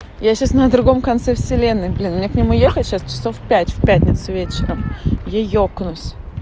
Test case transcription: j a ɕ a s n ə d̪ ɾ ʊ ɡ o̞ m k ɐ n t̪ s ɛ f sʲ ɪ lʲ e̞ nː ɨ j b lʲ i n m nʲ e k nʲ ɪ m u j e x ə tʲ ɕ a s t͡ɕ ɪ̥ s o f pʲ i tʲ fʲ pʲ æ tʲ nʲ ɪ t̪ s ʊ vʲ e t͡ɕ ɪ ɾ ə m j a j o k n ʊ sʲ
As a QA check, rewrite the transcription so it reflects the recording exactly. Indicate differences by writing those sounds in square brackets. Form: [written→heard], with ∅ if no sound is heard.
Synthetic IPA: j a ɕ a s n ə d̪ ɾ ʊ ɡ o̞ m k ɐ n t̪ s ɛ f sʲ ɪ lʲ e̞ nː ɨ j b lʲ i n m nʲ e k nʲ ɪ m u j e x ə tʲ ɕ a s t͡ɕ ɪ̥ s o f pʲ [i→æ] tʲ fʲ pʲ æ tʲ nʲ ɪ t̪ s ʊ vʲ e t͡ɕ ɪ ɾ ə m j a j o k n ʊ sʲ